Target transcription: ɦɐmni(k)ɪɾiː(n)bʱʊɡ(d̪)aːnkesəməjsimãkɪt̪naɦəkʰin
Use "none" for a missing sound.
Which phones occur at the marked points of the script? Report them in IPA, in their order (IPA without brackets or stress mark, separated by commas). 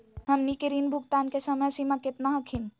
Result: k, n, t̪